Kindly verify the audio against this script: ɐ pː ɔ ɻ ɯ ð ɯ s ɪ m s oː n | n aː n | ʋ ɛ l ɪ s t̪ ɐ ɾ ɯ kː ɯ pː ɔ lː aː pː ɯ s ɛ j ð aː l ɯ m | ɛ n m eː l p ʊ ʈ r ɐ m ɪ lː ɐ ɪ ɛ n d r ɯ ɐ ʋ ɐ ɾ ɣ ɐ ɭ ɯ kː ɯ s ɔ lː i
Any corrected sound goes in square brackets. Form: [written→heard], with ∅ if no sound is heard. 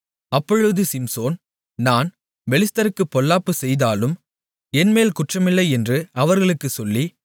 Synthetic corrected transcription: ɐ pː ɔ ɻ ɯ ð ɯ s ɪ m s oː n | n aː n | ʋ ɛ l ɪ s t̪ ɐ ɾ ɯ kː ɯ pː ɔ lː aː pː ɯ s ɛ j ð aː l ɯ m | ɛ n m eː l [p→k] ʊ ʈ r ɐ m ɪ lː ɐ ɪ ɛ n d r ɯ ɐ ʋ ɐ ɾ ɣ ɐ ɭ ɯ kː ɯ s ɔ lː i